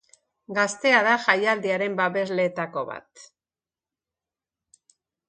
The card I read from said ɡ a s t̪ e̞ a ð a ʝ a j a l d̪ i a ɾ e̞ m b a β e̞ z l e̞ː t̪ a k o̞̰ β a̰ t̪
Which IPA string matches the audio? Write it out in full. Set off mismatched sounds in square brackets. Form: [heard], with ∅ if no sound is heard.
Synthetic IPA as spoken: ɡ a s t̪ e̞ a ð a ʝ a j a l d̪ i a ɾ e̞ m b a β e̞ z l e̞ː t̪ a k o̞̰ β a̰ t̪